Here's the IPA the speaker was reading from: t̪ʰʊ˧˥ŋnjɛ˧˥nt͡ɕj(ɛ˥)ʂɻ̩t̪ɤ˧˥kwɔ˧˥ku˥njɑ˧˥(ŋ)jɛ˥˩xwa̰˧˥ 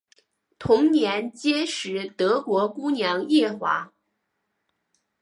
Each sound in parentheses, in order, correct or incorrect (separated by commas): correct, correct